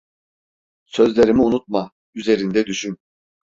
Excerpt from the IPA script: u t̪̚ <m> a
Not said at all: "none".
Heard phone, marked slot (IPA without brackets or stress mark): m